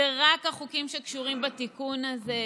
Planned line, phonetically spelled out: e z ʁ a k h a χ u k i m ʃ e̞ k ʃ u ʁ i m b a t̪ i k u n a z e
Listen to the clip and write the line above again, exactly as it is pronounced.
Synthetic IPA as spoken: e ʁ a k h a χ u k i m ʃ e̞ k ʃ u ʁ i m b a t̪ i k u n a z e

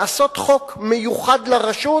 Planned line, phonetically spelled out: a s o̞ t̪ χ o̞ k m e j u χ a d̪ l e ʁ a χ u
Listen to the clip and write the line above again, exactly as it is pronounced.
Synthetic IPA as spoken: a s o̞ t̪ χ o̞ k m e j u χ a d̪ l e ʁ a ʃ u

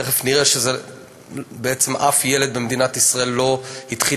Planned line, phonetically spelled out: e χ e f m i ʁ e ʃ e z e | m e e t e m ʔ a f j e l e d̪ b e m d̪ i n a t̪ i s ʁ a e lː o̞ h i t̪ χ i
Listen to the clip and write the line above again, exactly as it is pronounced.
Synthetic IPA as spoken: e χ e f n i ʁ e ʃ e z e | b e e t͡s e m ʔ a f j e l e d̪ b e m d̪ i n a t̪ i s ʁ a e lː o̞ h i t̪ χ i

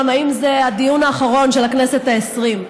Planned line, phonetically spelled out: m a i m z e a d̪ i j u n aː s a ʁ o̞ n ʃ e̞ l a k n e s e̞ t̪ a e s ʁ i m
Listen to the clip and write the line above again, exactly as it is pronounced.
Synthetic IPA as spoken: m a i m z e a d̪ i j u n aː χ a ʁ o̞ n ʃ e̞ l a k n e s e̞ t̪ a e s ʁ i m

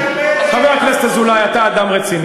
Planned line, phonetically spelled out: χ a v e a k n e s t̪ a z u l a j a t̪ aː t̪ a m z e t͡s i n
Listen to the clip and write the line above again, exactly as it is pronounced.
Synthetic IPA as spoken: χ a v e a k n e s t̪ a z u l a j a t̪ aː d̪ a m ʁ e t͡s i n

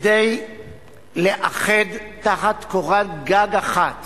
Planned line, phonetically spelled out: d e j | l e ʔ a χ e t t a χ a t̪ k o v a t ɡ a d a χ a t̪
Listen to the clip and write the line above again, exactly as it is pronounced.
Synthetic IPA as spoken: d e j | l e ʔ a χ e d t a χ a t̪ k o ʁ a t ɡ a ɡ a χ a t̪

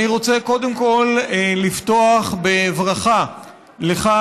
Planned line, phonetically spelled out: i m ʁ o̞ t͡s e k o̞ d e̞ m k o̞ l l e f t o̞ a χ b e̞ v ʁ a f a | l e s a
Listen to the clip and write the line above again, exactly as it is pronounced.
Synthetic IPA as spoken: i ʁ o̞ t͡s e k o̞ d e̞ m k o̞ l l i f t o̞ a χ b e̞ v ʁ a χ a | l e χ a

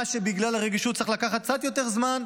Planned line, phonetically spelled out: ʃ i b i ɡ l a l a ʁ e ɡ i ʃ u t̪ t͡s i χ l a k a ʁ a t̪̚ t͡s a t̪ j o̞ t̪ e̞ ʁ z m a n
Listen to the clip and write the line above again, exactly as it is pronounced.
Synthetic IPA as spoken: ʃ e b i ɡ l a l a ʁ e ɡ i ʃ u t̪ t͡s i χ l a k a χ a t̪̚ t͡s a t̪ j o̞ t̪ e̞ ʁ z m a n

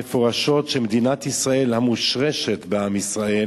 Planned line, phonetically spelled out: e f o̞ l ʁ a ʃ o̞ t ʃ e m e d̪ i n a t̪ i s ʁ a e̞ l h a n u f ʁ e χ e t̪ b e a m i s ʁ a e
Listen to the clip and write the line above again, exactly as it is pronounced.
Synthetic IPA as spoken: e f o̞ ʁ a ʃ o̞ t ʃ e m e d̪ i n a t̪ i s ʁ a e̞ l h a m u ʃ ʁ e ʃ e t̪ b e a m i s ʁ a e

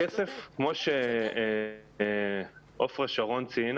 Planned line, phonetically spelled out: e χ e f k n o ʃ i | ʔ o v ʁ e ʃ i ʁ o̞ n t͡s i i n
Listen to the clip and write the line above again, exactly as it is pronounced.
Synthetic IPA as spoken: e s e f k m o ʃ e | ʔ o f ʁ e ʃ a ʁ o̞ n t͡s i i n

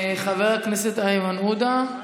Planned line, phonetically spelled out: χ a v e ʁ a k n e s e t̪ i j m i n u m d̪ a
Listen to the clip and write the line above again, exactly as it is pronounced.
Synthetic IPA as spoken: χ a v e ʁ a k n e s e t̪ a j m a n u d̪ a

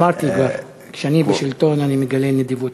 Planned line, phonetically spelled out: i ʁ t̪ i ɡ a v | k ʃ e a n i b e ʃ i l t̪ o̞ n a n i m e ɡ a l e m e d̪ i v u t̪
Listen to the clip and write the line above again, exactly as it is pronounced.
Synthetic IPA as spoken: a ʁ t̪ i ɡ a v | k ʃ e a n i b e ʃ i l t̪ o̞ n a n i m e ɡ a l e n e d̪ i v u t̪

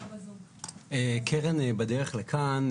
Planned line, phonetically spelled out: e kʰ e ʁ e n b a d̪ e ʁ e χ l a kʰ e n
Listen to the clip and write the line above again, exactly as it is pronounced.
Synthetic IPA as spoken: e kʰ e ʁ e n b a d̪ e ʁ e χ l e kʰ a n

